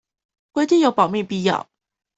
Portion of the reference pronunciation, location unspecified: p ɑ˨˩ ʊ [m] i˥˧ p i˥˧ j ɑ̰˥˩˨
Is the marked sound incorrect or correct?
correct